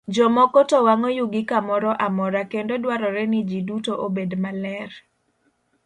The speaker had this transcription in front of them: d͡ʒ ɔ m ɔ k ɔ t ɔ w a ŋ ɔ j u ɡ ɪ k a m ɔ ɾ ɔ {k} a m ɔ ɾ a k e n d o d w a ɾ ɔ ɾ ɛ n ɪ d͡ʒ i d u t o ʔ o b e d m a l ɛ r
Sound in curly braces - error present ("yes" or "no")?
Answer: yes